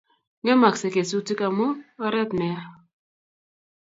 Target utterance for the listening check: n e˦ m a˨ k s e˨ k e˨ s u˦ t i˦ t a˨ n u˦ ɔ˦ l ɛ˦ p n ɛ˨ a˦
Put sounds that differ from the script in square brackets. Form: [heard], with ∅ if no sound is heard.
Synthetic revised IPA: [ŋ] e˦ m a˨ k s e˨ k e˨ s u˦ t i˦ [k] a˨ [m] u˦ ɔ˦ [ɾ] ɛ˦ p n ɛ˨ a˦